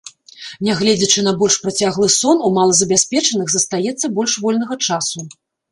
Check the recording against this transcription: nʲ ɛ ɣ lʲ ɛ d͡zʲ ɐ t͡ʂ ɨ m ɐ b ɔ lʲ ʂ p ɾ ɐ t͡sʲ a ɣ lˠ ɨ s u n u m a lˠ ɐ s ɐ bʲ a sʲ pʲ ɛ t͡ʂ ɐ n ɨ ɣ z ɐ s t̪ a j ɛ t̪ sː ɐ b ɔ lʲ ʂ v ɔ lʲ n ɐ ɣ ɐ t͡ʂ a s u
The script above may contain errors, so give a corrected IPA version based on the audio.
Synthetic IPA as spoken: nʲ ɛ ɣ lʲ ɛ d͡zʲ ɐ t͡ʂ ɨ n ɐ b ɔ lʲ ʂ p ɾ ɐ t͡sʲ a ɣ lˠ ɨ s ɔ n u m a lˠ ɐ z ɐ bʲ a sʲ pʲ ɛ t͡ʂ ɐ n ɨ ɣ z ɐ s t̪ a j ɛ t̪ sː ɐ b ɔ lʲ ʂ v ɔ lʲ n ɐ ɣ ɐ t͡ʂ a s u